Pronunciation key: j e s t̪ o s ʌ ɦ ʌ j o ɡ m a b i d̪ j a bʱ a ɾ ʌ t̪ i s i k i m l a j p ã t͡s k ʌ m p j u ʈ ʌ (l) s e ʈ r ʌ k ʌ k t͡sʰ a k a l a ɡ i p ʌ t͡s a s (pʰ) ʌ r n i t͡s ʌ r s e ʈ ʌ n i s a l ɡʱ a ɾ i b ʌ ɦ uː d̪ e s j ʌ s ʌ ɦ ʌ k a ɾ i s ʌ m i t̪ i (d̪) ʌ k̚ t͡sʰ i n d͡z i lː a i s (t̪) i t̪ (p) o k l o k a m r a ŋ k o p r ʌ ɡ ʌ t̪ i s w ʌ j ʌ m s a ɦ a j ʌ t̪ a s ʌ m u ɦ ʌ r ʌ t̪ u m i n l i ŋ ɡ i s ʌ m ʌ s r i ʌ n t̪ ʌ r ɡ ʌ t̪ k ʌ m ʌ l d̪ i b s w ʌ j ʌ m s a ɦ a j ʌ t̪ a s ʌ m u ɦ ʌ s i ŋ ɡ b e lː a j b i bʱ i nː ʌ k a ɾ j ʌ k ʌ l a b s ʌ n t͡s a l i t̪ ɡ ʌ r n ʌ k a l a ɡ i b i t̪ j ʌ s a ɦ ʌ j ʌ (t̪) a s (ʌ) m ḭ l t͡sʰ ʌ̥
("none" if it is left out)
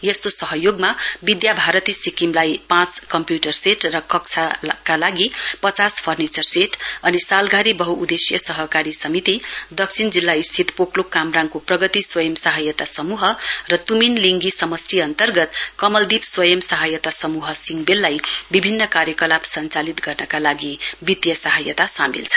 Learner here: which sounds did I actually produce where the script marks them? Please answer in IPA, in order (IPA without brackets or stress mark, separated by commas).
r, pʰ, d̪, t̪ʰ, p, t̪, a